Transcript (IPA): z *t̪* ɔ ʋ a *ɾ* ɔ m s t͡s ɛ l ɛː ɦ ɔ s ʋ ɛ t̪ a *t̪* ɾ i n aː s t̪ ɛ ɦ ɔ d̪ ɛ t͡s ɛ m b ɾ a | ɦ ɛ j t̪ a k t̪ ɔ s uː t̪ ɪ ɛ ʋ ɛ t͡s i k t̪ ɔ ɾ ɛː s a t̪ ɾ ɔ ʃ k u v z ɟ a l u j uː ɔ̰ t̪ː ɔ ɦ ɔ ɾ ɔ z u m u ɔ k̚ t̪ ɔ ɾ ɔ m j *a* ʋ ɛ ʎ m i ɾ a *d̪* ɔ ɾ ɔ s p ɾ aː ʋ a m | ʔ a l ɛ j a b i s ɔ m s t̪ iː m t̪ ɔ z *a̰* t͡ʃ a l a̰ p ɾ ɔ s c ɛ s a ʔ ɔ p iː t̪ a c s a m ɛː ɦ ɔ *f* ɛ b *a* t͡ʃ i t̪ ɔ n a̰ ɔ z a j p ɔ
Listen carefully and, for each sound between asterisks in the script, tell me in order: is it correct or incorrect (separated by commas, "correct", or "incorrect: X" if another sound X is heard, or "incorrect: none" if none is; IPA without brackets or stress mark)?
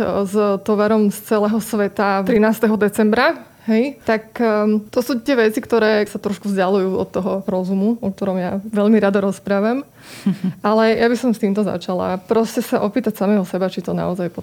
correct, correct, correct, correct, correct, correct, incorrect: s, correct